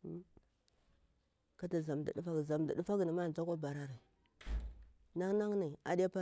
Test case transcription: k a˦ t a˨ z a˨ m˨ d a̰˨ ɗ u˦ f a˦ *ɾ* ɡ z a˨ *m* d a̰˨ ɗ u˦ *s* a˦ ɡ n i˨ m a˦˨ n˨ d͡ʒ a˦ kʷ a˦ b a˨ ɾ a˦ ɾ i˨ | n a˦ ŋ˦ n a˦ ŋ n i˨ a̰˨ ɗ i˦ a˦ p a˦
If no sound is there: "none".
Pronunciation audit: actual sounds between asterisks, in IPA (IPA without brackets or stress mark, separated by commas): none, m, f